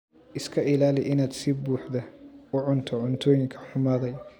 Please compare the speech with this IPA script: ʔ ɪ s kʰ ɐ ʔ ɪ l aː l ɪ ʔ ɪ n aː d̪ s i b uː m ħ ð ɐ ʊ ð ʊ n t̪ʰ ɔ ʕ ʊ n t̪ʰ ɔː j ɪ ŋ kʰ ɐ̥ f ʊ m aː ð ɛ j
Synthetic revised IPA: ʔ ɪ s kʰ ɐ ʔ ɪ l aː l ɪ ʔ ɪ n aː d̪ s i b uː ħ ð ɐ ʊ ʕ ʊ n t̪ʰ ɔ ʕ ʊ n t̪ʰ ɔː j ɪ ŋ kʰ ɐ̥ ħ ʊ m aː ð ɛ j